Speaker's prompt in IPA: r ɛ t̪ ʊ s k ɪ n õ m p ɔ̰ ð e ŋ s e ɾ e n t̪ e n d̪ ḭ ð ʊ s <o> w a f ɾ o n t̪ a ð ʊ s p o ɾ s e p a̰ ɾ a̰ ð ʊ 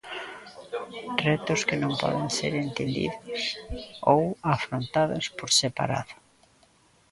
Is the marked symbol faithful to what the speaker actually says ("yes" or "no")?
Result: yes